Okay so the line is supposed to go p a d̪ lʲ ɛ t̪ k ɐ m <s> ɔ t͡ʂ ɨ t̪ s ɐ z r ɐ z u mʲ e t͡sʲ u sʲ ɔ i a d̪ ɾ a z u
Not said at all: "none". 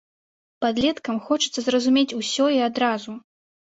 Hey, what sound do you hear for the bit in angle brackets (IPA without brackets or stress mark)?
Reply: x